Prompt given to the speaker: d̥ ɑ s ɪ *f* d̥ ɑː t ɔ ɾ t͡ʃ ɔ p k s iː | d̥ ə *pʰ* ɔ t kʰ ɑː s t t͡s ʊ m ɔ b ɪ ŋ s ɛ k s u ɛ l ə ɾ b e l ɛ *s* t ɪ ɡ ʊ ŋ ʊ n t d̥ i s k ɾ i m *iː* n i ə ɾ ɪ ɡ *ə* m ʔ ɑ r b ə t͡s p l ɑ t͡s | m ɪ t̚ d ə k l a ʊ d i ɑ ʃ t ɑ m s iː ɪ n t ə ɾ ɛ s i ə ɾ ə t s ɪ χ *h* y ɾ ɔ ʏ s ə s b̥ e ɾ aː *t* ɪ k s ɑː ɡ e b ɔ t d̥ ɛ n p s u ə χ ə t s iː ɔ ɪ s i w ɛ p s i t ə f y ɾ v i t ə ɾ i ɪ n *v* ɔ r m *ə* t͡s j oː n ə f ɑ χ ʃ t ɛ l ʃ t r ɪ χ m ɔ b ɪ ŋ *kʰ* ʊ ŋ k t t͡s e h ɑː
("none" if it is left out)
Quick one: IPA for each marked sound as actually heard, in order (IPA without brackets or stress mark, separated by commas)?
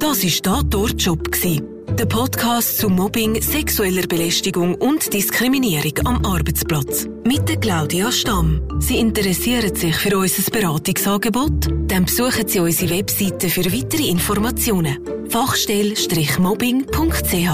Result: ʃ, pʰ, ʃ, i, ɑ, f, t, f, ɑ, pʰ